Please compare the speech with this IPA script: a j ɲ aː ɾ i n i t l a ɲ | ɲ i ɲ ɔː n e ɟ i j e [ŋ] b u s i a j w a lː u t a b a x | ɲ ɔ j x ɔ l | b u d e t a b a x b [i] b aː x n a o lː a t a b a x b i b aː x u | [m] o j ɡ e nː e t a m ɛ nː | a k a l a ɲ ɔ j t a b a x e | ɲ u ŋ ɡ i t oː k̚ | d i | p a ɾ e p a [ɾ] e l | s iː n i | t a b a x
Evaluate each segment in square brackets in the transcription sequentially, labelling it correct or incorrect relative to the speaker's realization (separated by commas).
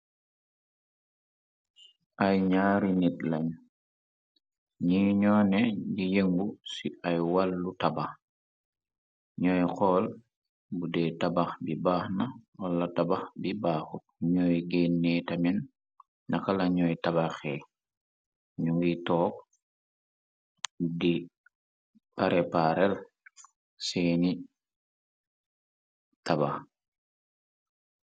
correct, correct, incorrect, correct